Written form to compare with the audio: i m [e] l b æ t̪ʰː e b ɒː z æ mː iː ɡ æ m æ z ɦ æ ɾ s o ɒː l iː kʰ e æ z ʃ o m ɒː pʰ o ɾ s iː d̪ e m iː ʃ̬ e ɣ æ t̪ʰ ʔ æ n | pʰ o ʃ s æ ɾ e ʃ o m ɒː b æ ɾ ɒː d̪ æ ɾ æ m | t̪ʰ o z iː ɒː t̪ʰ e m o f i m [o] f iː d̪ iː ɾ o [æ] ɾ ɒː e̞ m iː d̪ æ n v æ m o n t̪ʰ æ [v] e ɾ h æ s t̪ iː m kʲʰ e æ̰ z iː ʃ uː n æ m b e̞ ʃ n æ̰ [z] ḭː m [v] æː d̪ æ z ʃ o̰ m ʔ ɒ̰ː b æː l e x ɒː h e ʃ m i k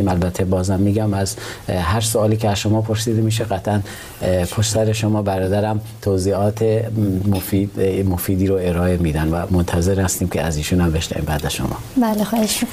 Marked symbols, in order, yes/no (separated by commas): no, yes, no, no, no, no